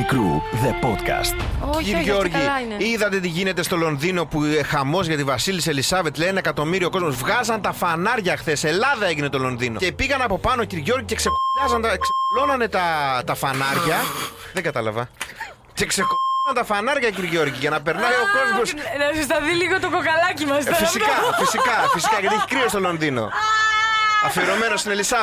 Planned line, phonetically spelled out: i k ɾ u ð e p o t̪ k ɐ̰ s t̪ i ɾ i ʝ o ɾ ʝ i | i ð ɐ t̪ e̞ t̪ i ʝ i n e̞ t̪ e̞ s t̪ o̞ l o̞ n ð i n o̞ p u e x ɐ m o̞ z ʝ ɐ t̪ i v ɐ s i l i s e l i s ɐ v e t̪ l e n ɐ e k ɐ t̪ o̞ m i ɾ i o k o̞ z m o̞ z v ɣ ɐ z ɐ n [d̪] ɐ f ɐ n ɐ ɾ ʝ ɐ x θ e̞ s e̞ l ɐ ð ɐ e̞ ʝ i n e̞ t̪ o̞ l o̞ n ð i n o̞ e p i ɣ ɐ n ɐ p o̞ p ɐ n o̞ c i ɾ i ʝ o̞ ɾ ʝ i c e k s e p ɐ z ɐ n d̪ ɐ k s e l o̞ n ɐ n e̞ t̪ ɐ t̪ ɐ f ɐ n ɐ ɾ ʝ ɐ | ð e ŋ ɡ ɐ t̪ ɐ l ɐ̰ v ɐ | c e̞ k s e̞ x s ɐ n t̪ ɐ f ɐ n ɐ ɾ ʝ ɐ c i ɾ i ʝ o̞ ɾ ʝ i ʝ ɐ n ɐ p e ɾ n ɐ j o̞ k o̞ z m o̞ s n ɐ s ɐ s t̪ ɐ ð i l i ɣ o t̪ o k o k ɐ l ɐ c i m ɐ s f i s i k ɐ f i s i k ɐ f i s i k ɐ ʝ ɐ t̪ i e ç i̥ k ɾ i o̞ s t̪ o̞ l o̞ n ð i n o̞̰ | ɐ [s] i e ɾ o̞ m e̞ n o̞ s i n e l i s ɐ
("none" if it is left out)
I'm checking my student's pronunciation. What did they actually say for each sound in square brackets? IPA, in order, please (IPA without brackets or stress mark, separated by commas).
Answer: t̪, f